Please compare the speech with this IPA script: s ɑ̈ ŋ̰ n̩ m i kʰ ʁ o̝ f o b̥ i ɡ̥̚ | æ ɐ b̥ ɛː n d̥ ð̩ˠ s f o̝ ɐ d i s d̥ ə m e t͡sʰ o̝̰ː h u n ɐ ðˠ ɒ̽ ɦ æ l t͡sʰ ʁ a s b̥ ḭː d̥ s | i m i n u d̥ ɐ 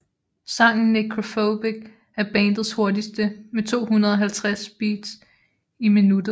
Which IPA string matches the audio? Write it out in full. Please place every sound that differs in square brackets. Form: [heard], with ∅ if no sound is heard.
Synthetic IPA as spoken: s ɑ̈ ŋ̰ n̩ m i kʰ ʁ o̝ f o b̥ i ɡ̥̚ | æ ɐ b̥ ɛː n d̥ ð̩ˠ s [h] o̝ ɐ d i s d̥ ə m e t͡sʰ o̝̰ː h u n ɐ ðˠ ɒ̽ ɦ æ l t͡sʰ ʁ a s b̥ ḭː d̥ s | i m i n u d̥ ɐ